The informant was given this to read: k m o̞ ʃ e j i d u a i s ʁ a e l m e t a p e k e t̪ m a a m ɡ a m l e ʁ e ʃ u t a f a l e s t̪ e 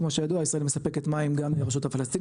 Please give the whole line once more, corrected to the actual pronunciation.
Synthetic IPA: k m o̞ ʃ e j a d u a i s ʁ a e l m e s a p e k e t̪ m a i m ɡ a m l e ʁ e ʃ u t a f a l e s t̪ i